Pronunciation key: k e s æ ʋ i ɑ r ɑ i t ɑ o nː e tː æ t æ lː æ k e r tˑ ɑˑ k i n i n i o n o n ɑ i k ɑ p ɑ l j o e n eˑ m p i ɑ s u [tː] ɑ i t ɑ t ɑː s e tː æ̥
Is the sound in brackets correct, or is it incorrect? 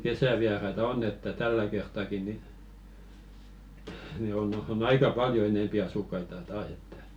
incorrect